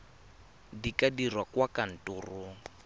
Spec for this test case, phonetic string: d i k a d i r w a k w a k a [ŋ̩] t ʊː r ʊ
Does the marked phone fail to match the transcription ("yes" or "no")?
yes